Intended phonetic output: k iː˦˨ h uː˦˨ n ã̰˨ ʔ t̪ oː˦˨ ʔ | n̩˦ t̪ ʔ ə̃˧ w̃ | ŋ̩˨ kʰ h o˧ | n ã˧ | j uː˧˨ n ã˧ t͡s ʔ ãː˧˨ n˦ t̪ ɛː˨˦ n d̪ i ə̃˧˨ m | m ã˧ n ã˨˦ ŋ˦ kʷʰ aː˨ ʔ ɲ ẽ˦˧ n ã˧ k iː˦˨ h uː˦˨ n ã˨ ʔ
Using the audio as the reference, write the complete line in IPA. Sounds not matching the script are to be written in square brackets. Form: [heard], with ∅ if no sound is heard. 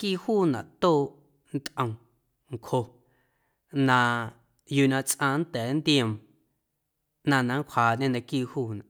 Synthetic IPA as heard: k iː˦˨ h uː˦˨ n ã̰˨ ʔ t̪ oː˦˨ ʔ | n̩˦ t̪ ʔ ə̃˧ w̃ | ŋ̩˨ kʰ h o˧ | n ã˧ | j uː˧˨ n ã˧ t͡s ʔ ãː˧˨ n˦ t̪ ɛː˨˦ n d̪ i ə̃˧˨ m | [n] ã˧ n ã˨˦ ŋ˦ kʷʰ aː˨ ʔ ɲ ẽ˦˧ n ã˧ k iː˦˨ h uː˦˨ n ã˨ ʔ